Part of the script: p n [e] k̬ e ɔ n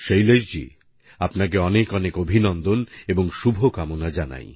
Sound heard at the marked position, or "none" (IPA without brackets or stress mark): a